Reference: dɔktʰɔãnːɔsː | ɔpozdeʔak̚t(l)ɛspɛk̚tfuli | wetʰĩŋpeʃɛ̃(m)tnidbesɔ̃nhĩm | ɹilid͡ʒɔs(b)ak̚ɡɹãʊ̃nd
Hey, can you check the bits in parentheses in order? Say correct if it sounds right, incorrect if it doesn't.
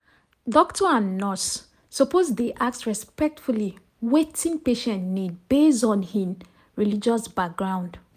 incorrect, incorrect, correct

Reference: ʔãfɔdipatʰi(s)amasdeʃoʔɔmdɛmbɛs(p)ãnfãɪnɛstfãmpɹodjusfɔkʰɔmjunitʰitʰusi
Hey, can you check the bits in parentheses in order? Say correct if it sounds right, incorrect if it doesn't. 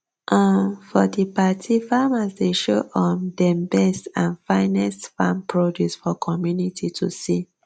incorrect, incorrect

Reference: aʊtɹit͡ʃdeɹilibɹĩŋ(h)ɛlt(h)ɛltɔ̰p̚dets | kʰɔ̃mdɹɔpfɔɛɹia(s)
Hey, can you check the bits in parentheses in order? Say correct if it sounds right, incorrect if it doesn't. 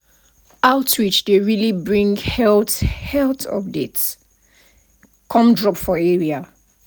correct, correct, incorrect

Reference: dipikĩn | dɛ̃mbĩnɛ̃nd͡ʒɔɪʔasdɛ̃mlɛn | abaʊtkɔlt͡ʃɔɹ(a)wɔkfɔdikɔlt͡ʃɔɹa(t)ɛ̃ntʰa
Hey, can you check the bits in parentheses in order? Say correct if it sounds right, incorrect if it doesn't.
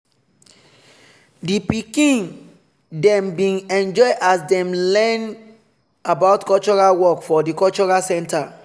correct, incorrect

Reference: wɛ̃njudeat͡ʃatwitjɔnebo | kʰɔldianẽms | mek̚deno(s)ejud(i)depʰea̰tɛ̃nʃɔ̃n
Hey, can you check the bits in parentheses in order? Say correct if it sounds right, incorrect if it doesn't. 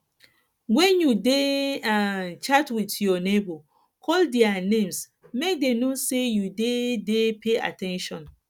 correct, incorrect

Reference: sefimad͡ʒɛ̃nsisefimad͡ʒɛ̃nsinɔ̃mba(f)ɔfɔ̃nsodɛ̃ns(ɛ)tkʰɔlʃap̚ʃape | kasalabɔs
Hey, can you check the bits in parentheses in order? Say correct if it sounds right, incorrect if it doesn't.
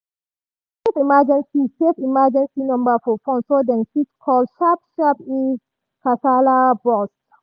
correct, incorrect

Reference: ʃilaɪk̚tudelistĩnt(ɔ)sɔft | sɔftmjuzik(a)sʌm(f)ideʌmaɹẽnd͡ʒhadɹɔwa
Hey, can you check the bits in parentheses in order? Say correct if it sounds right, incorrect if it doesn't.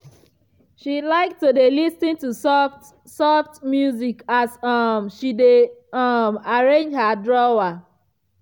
incorrect, correct, incorrect

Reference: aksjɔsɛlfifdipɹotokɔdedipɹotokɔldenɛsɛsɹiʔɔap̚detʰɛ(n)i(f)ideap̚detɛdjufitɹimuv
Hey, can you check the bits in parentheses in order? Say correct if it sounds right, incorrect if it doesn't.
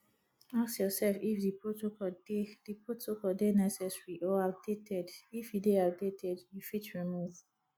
incorrect, correct

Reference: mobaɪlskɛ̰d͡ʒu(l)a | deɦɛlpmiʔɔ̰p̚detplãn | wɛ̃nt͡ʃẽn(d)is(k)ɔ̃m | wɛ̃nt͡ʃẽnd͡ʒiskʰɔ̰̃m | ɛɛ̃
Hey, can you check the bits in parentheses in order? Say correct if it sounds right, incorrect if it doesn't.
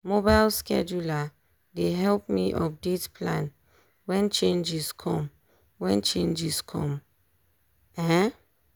correct, incorrect, incorrect

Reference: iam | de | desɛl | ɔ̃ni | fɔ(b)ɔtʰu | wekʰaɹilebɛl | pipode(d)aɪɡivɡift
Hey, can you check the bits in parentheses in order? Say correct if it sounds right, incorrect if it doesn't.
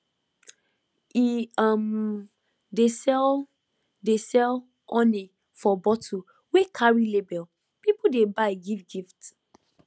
correct, incorrect

